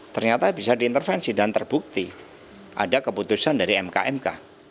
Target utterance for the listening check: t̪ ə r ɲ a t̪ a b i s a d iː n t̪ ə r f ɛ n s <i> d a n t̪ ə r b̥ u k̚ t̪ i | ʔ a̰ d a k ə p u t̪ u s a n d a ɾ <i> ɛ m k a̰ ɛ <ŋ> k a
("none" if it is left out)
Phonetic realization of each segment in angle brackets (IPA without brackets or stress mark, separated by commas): i, i, m